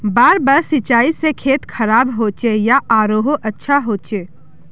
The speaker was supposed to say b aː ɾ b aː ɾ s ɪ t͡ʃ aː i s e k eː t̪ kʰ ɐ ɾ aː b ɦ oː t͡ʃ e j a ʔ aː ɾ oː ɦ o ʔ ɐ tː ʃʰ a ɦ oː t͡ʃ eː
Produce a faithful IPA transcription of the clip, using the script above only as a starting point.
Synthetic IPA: b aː ɾ b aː ɾ s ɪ t͡ʃ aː i s e kʰ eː t̪ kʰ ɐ ɾ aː b ɦ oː t͡ʃ e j a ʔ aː ɾ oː ɦ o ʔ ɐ tː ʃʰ a ɦ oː t͡ʃ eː